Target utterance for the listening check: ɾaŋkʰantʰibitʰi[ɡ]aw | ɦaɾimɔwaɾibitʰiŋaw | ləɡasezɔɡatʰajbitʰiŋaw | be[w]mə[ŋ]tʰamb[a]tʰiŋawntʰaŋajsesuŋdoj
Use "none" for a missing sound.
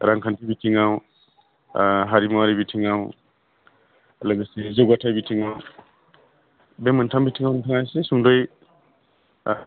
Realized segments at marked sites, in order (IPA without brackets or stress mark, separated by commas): ŋ, none, n, i